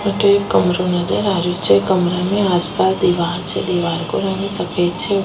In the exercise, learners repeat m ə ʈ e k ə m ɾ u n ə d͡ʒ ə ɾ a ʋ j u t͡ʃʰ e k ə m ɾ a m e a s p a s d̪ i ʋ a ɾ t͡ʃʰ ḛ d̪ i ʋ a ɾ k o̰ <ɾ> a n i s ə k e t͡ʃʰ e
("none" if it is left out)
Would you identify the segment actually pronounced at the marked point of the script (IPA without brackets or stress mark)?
ɾ